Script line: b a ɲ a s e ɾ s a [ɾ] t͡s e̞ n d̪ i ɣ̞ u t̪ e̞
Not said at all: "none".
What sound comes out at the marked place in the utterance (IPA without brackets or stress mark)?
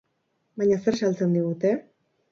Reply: l